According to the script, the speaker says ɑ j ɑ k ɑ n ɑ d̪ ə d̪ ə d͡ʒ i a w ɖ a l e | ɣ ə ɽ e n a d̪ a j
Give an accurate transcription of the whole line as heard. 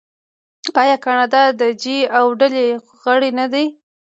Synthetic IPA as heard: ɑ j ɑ k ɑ n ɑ d̪ ɑ d̪ ə d͡ʒ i a w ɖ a l e | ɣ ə ɽ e n a d̪ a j